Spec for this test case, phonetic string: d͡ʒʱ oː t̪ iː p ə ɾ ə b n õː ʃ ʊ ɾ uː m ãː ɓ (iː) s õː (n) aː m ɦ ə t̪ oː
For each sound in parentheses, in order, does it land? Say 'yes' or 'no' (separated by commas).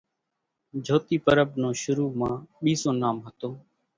yes, yes